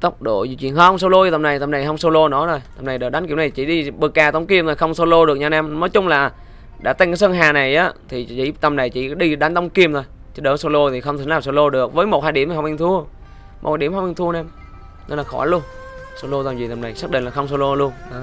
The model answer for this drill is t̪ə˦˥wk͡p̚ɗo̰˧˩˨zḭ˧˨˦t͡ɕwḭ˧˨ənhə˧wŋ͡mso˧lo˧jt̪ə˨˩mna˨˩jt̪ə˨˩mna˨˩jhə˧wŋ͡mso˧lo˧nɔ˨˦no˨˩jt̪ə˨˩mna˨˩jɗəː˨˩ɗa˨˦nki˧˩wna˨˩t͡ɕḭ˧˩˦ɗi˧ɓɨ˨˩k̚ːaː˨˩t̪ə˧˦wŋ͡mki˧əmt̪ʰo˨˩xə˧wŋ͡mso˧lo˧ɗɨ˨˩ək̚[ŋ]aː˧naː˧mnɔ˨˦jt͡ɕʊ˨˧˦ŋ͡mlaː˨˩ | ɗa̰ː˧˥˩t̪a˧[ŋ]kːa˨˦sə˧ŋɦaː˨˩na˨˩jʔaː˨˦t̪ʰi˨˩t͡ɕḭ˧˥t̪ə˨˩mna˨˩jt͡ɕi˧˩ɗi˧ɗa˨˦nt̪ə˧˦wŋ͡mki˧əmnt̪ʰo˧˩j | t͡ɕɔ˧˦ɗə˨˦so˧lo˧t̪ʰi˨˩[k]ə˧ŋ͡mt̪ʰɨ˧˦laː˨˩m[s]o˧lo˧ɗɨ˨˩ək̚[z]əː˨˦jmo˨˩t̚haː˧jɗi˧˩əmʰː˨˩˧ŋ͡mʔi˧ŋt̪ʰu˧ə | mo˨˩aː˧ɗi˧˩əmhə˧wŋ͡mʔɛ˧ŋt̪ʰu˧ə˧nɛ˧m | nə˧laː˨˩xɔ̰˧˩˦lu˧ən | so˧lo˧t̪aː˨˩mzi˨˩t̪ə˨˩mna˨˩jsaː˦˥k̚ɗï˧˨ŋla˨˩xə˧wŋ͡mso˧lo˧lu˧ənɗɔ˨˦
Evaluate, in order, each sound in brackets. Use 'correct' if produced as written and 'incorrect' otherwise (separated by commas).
incorrect, correct, incorrect, correct, incorrect